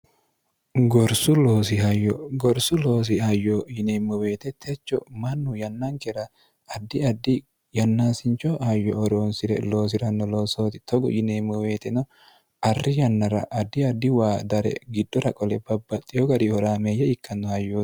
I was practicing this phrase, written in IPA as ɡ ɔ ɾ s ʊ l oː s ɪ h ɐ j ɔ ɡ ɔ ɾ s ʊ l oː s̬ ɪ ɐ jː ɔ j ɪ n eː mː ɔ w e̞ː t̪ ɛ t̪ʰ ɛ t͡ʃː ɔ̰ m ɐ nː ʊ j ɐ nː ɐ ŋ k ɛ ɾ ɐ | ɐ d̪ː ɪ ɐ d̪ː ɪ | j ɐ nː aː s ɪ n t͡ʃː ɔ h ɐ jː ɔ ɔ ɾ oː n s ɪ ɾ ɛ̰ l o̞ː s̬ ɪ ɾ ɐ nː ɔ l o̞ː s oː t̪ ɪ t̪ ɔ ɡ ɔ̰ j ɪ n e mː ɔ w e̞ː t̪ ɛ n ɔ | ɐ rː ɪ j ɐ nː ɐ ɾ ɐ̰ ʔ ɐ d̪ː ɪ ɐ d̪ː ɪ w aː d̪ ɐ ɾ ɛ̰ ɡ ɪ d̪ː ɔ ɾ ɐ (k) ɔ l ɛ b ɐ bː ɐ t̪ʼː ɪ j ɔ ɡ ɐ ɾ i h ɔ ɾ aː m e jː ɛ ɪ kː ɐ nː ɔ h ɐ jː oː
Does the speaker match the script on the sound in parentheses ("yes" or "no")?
no